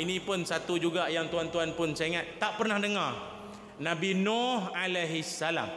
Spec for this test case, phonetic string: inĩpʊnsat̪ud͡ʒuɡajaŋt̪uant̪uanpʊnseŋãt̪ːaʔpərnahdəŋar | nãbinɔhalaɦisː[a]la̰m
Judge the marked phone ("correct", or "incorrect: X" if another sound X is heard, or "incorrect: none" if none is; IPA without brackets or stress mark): correct